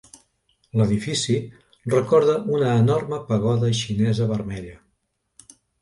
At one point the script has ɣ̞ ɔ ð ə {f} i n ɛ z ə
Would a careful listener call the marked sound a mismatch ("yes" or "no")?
yes